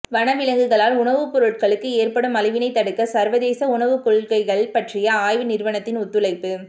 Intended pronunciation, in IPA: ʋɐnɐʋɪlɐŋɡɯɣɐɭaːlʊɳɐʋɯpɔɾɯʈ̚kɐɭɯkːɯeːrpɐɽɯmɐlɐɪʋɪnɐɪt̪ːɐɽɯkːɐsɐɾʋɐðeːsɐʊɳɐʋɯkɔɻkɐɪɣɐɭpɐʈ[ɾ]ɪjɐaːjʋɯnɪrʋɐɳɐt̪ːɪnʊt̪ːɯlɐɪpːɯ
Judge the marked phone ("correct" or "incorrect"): incorrect